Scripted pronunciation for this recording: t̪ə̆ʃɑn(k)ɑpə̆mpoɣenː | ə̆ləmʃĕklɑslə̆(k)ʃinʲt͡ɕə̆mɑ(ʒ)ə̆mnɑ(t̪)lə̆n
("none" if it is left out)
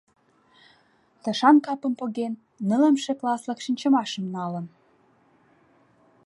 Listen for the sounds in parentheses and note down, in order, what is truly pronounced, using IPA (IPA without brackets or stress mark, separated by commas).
k, k, ʃ, none